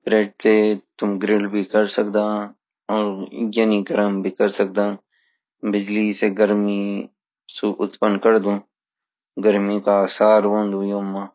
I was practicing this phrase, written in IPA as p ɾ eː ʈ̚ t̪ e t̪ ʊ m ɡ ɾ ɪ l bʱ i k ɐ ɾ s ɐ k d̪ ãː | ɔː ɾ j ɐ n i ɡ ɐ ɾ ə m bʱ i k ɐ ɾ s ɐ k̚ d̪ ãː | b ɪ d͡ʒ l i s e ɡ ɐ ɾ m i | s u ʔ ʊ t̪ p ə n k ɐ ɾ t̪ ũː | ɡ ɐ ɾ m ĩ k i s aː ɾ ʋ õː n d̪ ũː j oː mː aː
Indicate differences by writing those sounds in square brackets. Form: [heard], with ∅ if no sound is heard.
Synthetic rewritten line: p ɾ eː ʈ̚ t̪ e t̪ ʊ m ɡ ɾ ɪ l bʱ i k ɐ ɾ s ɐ k d̪ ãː | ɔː ɾ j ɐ n i ɡ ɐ ɾ ə m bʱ i k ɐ ɾ s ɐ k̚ d̪ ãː | b ɪ d͡ʒ l i s e ɡ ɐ ɾ m i | s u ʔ ʊ t̪ p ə n k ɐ ɾ [d̪] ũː | ɡ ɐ ɾ m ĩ k [a] s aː ɾ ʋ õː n d̪ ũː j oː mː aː